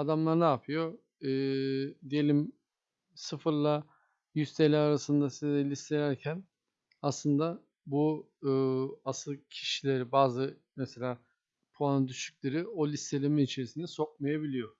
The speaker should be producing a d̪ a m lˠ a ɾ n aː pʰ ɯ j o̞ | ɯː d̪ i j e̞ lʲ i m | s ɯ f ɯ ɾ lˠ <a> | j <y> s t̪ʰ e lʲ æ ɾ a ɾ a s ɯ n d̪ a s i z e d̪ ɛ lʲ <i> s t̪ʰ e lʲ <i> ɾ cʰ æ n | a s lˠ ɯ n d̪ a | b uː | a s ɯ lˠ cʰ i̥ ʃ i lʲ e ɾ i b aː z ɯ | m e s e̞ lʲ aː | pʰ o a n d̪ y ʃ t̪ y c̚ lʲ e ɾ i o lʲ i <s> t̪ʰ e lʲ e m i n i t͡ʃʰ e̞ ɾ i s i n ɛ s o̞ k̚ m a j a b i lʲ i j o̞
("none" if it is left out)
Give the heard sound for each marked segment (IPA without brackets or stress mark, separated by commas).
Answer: a, y, i, æ, s